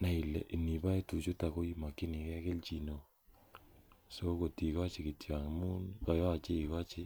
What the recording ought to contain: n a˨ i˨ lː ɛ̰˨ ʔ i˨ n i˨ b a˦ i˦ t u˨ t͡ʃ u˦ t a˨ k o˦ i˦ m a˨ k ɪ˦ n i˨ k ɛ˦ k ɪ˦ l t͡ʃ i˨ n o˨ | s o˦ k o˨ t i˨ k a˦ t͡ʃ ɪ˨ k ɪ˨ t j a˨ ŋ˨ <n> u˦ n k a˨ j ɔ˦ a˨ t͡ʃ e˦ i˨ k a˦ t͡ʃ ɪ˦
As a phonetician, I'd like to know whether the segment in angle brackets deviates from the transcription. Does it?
yes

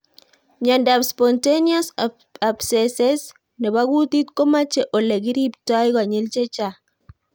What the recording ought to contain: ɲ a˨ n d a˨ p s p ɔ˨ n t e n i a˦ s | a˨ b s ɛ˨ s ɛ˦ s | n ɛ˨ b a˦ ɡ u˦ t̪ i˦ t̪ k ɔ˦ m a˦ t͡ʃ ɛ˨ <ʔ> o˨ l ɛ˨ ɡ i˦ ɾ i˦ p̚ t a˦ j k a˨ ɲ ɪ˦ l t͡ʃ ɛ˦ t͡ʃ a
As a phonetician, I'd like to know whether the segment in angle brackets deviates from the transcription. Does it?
no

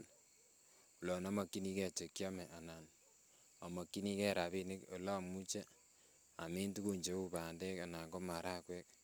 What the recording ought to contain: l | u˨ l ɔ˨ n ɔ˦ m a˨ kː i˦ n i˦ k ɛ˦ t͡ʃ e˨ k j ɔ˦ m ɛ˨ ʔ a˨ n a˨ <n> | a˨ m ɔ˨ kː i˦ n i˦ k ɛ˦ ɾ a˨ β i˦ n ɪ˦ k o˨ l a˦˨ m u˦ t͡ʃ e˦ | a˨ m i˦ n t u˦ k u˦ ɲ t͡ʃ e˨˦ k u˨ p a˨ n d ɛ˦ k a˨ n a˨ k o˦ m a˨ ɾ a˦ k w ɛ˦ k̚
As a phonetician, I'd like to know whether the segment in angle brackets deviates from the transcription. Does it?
no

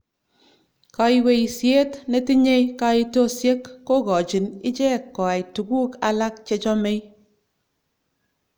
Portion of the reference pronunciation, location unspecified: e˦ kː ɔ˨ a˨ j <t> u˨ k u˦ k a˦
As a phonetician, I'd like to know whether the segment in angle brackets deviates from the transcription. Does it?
no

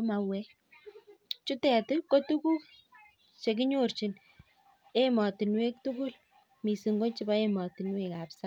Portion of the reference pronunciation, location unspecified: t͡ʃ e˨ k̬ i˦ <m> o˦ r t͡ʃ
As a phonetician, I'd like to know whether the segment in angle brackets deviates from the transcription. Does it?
yes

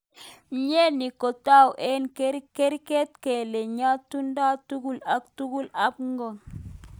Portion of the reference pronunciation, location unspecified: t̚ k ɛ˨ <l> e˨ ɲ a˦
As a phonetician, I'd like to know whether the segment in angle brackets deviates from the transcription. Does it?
no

